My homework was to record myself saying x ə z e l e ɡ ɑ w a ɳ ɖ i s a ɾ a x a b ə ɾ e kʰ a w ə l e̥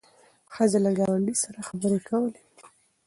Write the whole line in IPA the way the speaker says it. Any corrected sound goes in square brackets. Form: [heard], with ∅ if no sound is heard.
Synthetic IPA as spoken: x ə z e l [a] ɡ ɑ w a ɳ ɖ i s a ɾ a x a b ə ɾ e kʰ a w ə l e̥